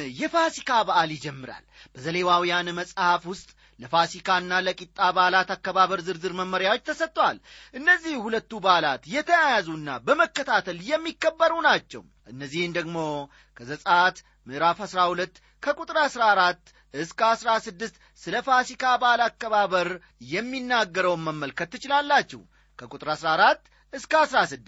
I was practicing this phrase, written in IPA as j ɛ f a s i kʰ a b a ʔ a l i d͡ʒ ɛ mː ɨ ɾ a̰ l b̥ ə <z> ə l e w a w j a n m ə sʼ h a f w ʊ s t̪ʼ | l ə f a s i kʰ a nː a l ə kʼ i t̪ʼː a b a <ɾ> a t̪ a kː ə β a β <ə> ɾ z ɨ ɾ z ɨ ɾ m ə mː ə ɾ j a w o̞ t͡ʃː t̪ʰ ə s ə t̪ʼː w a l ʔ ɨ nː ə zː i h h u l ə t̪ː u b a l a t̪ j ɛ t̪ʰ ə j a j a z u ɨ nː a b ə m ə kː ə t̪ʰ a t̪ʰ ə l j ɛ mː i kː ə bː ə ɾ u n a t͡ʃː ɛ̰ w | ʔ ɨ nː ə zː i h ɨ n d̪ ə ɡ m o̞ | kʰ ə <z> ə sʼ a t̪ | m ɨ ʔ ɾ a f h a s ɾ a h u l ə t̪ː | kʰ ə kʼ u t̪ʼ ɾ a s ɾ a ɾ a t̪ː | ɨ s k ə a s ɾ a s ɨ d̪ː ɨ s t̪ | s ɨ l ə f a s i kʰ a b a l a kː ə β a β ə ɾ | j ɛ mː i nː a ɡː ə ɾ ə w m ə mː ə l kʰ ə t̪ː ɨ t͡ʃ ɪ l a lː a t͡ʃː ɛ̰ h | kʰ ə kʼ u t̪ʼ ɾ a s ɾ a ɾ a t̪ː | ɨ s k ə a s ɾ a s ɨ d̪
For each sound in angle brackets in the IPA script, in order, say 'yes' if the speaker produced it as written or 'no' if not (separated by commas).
yes, no, yes, yes